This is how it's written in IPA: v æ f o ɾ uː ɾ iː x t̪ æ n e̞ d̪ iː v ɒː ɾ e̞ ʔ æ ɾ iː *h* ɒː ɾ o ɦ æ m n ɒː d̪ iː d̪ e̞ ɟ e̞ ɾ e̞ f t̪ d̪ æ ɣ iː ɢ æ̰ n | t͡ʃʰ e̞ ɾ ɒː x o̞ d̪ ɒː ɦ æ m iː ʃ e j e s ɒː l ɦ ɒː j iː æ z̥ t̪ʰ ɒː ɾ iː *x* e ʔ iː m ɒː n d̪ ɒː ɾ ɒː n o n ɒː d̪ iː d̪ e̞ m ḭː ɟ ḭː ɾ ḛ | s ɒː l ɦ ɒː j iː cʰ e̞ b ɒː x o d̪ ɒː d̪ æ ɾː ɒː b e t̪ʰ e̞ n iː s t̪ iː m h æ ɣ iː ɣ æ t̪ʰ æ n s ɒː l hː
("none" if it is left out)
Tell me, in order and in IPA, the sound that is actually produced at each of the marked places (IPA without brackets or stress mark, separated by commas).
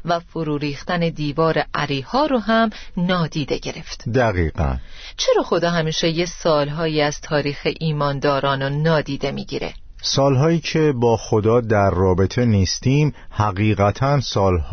h, x